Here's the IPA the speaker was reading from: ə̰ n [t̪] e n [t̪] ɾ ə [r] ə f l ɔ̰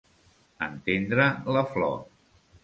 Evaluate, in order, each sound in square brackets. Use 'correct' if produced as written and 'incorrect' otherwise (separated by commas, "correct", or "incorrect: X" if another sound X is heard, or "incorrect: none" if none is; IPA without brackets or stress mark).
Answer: correct, incorrect: d̪, incorrect: l